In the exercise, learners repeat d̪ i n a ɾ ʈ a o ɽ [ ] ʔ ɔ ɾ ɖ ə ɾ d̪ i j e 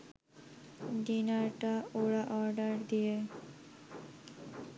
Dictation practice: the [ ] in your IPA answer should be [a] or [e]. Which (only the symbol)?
a